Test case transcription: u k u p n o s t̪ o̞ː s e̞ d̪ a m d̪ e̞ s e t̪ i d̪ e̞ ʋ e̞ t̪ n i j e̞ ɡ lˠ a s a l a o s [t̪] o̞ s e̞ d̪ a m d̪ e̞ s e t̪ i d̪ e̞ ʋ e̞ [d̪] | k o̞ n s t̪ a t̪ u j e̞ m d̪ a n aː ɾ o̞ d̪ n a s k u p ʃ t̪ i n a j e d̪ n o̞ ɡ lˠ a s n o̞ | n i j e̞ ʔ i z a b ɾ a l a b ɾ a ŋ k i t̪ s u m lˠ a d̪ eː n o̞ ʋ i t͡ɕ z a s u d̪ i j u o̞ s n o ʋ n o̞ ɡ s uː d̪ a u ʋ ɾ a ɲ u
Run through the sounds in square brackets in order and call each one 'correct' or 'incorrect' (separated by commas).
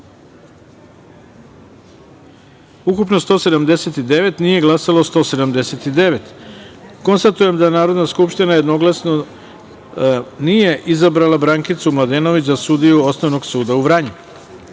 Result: correct, incorrect